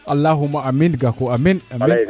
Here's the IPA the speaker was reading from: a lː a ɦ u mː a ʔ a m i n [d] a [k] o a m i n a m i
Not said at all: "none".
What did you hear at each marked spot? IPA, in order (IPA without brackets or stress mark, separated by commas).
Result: ɡ, k